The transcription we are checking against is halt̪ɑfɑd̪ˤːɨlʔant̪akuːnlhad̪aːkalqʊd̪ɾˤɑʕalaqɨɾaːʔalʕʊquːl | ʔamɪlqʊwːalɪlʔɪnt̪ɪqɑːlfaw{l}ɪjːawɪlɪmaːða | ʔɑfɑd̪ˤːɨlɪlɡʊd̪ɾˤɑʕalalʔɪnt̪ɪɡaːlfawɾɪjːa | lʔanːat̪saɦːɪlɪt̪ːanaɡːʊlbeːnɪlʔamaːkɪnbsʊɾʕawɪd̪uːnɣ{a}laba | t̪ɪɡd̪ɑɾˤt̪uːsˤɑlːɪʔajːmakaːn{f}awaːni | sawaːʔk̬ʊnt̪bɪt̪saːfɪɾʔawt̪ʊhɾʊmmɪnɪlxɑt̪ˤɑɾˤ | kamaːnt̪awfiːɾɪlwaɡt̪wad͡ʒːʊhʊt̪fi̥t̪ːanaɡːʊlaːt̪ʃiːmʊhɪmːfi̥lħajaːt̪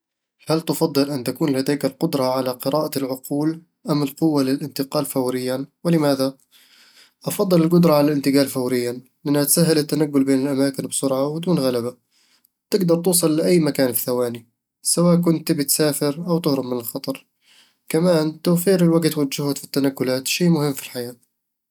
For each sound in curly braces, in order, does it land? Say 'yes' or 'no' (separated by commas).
no, yes, no